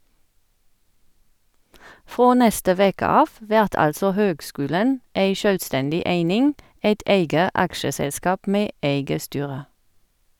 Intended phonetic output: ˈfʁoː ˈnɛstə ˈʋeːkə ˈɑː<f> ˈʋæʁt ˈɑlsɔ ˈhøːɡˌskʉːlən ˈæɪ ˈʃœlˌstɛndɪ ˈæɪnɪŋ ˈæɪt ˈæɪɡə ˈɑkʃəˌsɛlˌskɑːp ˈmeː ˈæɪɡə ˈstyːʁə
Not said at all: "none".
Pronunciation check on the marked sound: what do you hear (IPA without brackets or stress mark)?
f